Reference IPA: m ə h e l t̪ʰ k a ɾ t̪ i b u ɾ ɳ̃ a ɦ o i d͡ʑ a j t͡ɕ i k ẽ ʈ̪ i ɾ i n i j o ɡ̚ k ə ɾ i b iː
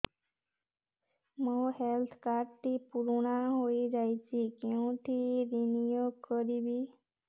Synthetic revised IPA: m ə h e l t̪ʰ k a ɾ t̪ i p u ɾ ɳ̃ a ɦ o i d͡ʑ a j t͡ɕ i k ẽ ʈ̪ i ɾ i n i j o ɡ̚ k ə ɾ i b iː